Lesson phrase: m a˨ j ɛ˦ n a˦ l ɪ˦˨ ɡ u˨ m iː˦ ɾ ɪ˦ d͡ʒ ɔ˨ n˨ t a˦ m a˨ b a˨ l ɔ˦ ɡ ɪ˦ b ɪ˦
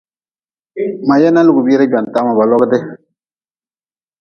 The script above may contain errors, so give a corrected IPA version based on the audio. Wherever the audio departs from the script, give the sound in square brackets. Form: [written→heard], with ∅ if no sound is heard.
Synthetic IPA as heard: m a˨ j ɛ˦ n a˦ l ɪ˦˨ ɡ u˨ [m→b] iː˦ ɾ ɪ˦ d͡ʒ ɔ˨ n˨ t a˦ m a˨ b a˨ l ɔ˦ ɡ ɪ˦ [b→d] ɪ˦